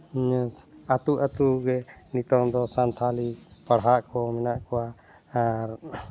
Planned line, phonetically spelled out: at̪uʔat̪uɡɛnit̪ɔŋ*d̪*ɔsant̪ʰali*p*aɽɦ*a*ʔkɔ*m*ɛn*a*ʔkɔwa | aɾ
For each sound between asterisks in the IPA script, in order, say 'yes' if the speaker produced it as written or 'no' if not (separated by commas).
yes, yes, yes, yes, yes